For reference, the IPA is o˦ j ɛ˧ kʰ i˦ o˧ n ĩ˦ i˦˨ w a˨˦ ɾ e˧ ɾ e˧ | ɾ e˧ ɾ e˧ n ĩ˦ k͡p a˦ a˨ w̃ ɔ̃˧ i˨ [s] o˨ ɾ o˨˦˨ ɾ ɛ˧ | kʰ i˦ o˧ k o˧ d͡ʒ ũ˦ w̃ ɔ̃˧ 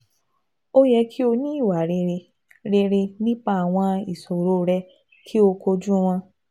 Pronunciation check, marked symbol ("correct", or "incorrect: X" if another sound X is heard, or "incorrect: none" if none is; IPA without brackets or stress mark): correct